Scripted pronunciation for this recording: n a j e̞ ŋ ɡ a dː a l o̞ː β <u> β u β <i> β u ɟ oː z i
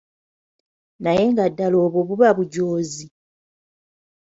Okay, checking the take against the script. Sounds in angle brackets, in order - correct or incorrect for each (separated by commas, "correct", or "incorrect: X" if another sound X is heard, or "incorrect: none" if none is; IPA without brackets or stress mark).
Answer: incorrect: o, incorrect: a